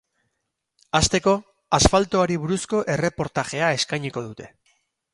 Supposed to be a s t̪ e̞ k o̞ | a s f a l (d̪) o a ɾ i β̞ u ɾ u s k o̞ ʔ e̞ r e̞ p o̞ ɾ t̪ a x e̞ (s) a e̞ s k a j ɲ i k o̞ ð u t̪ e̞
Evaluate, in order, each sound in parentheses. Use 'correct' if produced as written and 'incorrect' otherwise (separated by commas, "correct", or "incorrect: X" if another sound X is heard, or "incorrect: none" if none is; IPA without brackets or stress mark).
incorrect: t̪, incorrect: none